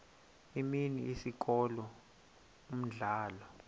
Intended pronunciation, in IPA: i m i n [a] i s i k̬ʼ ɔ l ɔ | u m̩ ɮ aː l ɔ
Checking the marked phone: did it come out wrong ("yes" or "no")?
yes